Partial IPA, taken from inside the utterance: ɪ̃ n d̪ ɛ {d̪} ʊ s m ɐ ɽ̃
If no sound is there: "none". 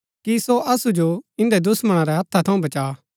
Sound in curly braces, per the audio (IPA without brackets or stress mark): d̪